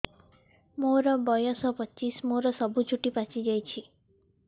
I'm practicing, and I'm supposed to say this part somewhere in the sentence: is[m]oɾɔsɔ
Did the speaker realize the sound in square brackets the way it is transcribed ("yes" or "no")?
yes